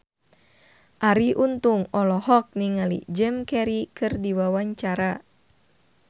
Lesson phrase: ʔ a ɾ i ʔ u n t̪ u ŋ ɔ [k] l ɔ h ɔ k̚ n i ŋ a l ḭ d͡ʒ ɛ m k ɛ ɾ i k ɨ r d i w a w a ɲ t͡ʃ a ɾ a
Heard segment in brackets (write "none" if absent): none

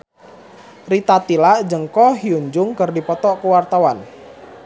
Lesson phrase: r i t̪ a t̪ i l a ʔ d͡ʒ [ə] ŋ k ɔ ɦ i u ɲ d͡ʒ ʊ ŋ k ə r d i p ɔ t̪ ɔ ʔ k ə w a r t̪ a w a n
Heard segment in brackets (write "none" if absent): ə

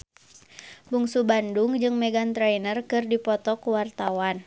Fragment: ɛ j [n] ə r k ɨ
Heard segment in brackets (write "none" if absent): n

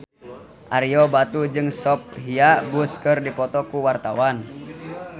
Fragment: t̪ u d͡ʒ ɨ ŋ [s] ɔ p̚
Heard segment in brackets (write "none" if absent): s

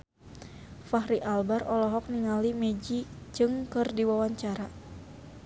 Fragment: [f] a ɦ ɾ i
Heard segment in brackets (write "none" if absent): f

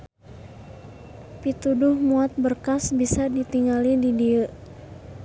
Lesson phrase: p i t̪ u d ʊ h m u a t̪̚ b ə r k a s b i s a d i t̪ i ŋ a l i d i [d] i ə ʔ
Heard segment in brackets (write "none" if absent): d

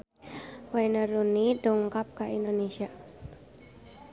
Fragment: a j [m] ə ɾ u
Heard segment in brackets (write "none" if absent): n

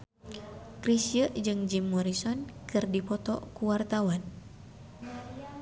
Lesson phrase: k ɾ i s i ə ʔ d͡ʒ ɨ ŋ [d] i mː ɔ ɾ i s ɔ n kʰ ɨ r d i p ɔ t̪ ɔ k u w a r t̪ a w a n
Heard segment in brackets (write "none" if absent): d͡ʒ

